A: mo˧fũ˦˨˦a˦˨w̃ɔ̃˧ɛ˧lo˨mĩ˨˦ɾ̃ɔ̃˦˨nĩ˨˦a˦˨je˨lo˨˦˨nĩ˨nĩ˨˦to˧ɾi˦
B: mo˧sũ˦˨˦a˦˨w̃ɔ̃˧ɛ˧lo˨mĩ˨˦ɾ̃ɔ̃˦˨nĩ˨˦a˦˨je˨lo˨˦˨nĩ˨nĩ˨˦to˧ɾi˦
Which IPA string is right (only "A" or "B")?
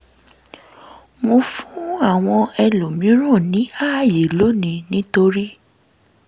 A